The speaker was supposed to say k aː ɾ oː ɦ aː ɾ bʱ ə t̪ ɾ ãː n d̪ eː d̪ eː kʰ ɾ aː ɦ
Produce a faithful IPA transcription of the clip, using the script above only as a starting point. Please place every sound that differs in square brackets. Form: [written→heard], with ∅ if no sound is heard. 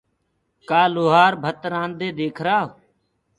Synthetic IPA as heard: k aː [ɾ→l] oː ɦ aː ɾ bʱ ə t̪ ɾ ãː n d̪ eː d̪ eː kʰ ɾ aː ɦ